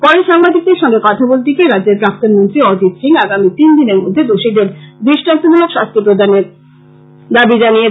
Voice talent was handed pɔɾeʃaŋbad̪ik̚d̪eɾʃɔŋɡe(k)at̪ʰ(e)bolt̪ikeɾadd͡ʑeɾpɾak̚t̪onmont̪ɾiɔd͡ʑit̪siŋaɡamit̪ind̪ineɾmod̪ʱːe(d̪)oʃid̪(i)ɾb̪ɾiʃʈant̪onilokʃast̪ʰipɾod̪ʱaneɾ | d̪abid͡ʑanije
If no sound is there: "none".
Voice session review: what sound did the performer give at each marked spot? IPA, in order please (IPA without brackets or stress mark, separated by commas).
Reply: k, a, d̪, e